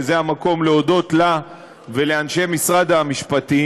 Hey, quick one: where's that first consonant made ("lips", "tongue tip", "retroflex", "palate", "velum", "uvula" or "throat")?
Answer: tongue tip